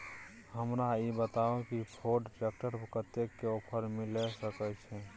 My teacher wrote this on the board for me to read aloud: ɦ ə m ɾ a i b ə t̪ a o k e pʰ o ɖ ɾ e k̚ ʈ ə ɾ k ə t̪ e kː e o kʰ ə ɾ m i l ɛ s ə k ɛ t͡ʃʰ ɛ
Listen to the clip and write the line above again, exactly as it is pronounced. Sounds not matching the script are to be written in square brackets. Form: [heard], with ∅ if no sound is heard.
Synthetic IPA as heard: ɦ ə m ɾ a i b ə t̪ a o k [i] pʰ o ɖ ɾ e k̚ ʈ ə ɾ k ə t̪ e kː e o [pʰ] ə ɾ m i l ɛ s ə k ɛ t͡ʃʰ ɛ